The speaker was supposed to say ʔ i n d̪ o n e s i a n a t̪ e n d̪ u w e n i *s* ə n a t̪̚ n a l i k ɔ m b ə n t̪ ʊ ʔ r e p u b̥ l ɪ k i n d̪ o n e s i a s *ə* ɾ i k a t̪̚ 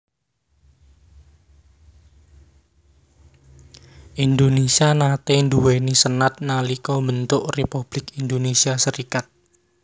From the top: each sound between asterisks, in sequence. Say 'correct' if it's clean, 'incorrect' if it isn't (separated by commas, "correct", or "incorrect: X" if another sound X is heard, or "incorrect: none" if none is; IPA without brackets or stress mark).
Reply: correct, correct